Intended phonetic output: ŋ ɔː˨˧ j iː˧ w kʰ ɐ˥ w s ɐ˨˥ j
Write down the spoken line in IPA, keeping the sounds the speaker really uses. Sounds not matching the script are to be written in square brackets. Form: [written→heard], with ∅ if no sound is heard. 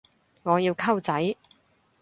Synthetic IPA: ŋ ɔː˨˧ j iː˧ w kʰ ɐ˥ w [s→t͡s] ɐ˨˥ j